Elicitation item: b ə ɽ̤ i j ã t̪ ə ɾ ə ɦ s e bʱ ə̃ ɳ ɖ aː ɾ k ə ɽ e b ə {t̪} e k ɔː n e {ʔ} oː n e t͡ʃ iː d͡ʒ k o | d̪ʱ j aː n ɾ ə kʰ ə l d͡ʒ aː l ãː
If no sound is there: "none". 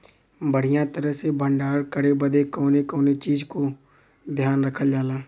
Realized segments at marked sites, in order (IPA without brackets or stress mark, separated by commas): d̪, k